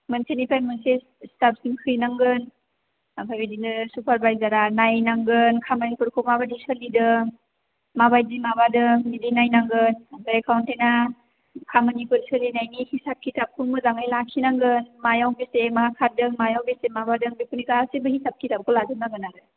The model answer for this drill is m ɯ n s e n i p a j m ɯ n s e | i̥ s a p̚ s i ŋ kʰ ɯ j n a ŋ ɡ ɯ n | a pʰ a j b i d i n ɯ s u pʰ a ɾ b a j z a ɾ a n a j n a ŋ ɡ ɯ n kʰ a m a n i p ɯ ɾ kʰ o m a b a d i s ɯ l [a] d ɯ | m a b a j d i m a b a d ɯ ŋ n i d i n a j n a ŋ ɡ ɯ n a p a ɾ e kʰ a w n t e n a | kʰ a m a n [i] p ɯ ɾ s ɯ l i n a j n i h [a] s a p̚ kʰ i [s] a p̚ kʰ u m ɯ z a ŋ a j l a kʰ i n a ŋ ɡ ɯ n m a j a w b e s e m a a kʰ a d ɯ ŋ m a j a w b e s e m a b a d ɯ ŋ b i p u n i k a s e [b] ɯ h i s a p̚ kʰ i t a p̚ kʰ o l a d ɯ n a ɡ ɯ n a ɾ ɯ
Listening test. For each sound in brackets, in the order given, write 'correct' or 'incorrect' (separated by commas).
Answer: incorrect, correct, incorrect, incorrect, correct